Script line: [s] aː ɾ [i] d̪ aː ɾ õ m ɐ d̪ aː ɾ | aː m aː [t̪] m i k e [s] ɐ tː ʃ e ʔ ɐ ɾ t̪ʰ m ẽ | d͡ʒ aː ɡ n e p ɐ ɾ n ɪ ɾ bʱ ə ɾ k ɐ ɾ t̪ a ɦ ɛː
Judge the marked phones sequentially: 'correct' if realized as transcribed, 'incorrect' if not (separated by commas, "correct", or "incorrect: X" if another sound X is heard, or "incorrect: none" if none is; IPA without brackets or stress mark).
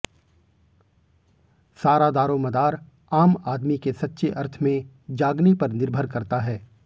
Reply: correct, incorrect: a, incorrect: d̪, correct